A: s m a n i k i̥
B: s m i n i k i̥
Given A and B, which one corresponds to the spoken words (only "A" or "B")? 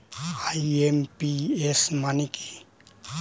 A